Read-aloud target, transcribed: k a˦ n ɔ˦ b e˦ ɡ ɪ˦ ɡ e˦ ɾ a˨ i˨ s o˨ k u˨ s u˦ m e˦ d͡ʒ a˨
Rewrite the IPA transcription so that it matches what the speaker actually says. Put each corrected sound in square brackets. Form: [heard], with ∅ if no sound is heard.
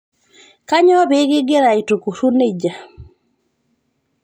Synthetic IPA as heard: k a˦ [ɲ] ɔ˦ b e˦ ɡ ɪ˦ ɡ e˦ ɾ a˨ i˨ [t] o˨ k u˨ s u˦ [n] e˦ d͡ʒ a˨